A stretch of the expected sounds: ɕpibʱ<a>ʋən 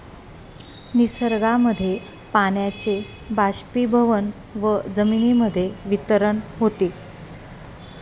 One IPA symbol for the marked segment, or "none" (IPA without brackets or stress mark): ə